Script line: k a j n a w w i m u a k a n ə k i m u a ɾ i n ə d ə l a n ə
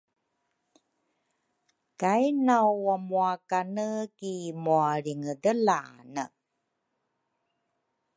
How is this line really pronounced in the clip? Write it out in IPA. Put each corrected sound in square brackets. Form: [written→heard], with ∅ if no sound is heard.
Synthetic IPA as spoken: k a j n a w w [i→a] m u a k a n ə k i m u a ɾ i [n→ŋ] ə d ə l a n ə